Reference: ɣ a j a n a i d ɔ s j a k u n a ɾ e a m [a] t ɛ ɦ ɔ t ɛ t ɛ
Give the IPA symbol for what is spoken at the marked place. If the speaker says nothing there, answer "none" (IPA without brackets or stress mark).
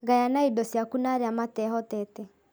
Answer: a